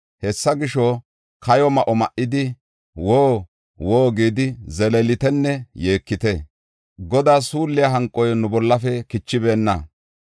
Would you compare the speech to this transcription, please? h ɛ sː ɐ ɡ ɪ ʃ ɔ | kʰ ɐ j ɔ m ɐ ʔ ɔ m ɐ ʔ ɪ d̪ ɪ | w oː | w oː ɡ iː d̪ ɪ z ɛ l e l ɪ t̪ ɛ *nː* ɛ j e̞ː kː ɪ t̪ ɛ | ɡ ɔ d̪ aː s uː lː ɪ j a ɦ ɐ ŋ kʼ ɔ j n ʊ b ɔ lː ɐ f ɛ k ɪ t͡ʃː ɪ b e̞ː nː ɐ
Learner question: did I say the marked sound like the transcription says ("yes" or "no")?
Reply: yes